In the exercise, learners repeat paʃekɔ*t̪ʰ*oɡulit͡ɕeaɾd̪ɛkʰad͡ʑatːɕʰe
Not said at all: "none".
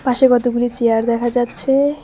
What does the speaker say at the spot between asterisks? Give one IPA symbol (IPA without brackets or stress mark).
t̪